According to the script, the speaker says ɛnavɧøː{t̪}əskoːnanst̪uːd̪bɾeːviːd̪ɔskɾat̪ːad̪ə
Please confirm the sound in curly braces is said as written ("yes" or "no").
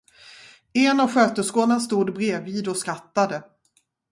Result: yes